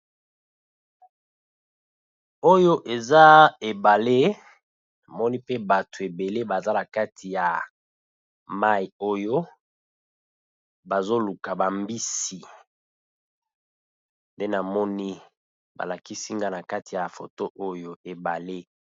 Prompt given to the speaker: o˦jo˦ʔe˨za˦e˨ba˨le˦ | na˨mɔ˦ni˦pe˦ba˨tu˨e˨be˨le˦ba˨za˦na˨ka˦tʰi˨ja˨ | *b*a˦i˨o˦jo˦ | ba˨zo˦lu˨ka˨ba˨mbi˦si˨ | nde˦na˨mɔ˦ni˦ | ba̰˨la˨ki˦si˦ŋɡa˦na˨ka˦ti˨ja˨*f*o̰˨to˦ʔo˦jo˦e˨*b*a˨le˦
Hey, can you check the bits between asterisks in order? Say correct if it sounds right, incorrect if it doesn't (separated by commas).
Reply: incorrect, correct, correct